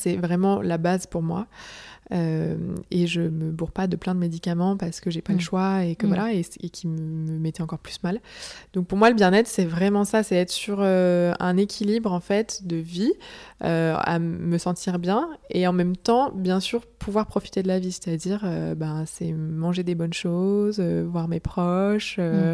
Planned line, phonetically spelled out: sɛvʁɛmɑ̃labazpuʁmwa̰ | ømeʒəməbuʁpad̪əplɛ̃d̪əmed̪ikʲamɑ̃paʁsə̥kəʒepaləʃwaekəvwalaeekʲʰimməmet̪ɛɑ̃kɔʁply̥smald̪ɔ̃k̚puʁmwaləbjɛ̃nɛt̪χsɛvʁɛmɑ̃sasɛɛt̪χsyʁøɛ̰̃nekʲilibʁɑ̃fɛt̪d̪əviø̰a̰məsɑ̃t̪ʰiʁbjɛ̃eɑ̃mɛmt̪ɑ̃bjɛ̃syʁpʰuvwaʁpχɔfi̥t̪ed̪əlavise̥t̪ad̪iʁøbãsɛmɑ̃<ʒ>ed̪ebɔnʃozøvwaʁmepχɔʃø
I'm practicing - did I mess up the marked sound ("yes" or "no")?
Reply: no